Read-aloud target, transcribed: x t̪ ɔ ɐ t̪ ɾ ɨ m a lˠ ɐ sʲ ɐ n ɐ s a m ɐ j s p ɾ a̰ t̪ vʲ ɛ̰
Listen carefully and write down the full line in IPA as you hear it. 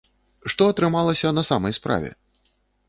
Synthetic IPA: ʂ t̪ ɔ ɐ t̪ ɾ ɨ m a lˠ ɐ sʲ ɐ n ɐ s a m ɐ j s p ɾ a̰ vʲ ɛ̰